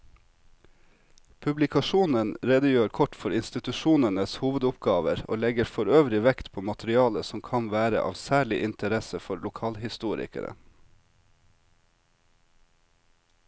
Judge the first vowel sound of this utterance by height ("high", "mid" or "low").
high